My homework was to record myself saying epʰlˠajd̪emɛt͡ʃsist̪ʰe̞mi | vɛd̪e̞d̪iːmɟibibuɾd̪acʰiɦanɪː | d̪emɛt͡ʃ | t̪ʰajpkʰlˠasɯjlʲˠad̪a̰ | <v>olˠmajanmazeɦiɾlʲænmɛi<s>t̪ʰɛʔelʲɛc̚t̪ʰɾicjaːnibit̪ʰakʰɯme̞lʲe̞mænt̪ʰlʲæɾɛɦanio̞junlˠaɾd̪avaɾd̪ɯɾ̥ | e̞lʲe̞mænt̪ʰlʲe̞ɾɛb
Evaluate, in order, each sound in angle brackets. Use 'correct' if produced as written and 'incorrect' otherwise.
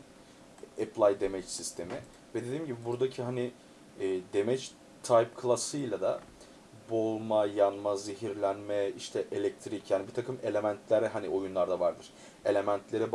incorrect: b, incorrect: ʃ

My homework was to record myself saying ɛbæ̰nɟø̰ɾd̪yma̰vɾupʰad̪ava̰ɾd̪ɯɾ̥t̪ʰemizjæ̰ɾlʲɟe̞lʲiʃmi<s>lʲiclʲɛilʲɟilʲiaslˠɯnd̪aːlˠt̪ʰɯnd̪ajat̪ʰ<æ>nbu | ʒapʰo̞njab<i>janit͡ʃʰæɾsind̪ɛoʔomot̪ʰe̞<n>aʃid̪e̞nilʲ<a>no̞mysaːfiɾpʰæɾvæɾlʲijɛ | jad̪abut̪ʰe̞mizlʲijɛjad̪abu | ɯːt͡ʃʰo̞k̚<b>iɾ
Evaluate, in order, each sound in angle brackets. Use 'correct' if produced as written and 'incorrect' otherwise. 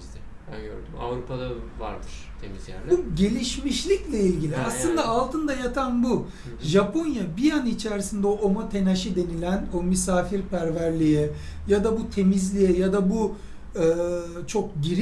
incorrect: ʃ, incorrect: a, correct, correct, incorrect: æ, incorrect: ɟ

